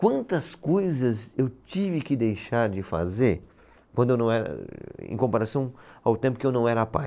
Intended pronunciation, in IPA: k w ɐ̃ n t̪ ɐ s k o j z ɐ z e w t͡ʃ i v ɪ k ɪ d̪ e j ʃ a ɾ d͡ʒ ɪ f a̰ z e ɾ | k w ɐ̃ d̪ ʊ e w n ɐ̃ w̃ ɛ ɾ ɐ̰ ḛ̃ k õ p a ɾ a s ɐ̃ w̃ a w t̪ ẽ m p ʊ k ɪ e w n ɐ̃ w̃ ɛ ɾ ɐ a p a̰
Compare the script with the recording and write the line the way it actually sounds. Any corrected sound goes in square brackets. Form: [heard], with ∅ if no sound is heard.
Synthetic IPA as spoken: k w ɐ̃ n t̪ ɐ s k o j z ɐ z e w t͡ʃ i v ɪ k ɪ d̪ e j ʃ a ɾ d͡ʒ ɪ f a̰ z e ɾ | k w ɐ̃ d̪ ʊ e w n ɐ̃ w̃ ɛ ɾ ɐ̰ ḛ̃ k õ p a ɾ a s ɐ̃ w̃ a w t̪ ẽ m p ʊ k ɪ e w n ɐ̃ w̃ ɛ ɾ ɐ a p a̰